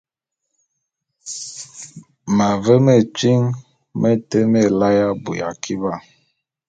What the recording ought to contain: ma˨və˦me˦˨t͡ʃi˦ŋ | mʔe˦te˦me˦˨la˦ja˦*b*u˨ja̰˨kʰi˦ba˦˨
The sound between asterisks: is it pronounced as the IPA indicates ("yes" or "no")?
yes